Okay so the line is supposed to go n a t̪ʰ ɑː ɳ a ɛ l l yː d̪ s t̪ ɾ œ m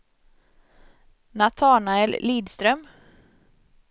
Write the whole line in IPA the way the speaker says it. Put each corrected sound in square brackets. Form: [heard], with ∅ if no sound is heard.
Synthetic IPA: n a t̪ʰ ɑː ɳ a ɛ l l [iː] d̪ s t̪ ɾ œ m